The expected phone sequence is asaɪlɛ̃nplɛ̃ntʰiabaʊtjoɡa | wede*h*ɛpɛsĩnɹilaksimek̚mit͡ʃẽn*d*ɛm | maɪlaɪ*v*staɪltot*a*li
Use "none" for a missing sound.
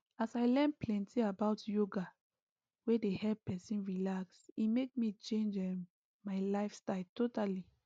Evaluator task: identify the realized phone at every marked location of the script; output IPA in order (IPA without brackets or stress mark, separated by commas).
h, d͡ʒ, f, a